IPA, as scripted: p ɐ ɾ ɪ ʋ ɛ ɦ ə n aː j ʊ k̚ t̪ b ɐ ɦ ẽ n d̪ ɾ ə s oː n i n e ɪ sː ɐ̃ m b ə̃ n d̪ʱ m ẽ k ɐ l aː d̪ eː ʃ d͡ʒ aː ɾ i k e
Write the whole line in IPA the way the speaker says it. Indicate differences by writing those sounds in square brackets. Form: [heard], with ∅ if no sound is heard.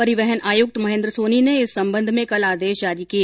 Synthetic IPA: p ɐ ɾ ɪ ʋ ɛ ɦ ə n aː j ʊ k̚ t̪ [m] ɐ ɦ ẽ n d̪ ɾ ə s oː n i n e ɪ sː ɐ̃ m b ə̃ n d̪ʱ m ẽ k ɐ l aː d̪ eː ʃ d͡ʒ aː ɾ i k [i]